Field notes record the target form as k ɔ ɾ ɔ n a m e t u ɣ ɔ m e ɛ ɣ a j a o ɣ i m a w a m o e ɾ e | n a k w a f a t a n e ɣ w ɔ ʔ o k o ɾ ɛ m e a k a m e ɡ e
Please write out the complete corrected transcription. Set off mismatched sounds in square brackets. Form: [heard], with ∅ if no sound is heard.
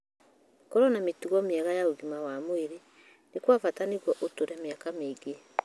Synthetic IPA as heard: k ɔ ɾ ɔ n a m e t u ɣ ɔ m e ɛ ɣ a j a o ɣ i m a w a m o e ɾ e | n [e] k w a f a t a n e ɣ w ɔ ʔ o [t] o ɾ ɛ m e a k a m e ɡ e